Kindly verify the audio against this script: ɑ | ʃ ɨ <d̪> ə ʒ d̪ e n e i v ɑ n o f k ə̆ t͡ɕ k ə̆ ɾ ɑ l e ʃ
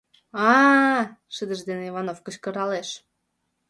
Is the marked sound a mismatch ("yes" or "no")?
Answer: no